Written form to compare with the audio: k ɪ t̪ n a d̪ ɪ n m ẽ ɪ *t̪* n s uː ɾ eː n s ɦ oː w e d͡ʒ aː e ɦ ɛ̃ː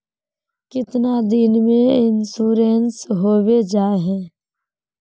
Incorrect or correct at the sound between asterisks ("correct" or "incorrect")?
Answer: incorrect